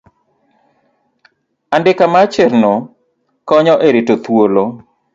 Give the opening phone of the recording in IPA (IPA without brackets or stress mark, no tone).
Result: a